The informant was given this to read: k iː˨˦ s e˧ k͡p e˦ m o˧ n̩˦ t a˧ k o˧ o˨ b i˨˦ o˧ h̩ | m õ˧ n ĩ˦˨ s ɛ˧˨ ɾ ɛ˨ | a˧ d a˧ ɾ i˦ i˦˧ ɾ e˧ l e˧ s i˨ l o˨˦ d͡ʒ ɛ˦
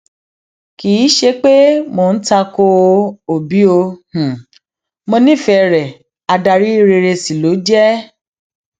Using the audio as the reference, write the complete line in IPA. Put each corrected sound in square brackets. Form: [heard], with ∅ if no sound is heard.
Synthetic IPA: k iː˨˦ [ʃ] e˧ k͡p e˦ m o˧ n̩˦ t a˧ k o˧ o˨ b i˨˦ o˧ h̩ | m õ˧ n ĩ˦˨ [f] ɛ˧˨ ɾ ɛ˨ | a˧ d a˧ ɾ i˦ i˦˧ ɾ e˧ [ɾ] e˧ s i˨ l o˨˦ d͡ʒ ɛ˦